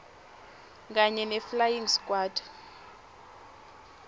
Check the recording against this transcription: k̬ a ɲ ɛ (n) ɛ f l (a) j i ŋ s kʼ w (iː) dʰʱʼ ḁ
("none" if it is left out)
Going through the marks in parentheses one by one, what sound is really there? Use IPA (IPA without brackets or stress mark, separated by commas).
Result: n, a, aː